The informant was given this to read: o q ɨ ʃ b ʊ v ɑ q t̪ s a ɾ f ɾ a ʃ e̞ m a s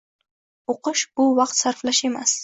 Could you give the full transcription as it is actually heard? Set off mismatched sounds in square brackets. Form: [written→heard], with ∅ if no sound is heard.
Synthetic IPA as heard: o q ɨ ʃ b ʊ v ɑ q t̪ s a ɾ f [ɾ→l] a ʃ e̞ m a s